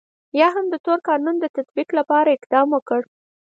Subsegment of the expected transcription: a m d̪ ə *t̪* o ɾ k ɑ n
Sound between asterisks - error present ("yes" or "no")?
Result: no